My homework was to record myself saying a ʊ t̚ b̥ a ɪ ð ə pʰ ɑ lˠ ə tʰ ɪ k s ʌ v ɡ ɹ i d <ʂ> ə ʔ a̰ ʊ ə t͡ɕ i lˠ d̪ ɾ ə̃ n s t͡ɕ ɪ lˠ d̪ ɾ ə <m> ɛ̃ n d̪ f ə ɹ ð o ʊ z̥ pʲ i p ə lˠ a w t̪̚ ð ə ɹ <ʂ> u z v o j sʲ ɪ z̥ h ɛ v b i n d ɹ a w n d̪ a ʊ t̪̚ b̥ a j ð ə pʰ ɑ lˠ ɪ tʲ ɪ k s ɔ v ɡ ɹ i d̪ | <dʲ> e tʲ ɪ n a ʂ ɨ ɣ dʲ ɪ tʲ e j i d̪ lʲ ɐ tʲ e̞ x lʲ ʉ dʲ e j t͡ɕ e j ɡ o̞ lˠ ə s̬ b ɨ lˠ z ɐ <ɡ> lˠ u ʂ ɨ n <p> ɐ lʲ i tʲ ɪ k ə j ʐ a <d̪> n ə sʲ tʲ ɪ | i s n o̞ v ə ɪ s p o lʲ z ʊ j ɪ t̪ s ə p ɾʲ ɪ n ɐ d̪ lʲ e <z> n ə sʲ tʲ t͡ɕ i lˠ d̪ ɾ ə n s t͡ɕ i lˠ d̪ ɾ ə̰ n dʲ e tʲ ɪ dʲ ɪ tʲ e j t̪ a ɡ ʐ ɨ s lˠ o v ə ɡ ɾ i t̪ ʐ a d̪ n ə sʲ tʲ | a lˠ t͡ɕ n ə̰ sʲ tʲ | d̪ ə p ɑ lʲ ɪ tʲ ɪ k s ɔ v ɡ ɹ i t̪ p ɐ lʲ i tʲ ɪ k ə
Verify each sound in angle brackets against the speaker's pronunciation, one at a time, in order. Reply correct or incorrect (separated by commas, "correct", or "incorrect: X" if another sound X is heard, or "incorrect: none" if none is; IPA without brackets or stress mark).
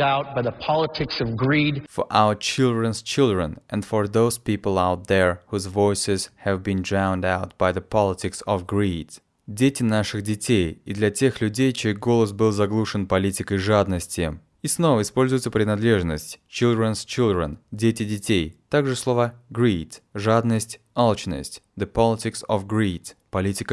incorrect: f, incorrect: n, incorrect: h, correct, correct, correct, correct, incorrect: ʐ